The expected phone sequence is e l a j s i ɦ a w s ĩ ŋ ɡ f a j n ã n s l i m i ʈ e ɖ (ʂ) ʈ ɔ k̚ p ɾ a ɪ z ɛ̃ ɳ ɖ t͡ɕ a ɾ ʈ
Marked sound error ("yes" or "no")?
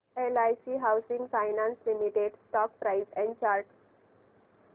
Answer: yes